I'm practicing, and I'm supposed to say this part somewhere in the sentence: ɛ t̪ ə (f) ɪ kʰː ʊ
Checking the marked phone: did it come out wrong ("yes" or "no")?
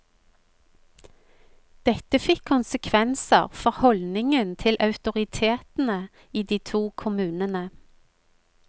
no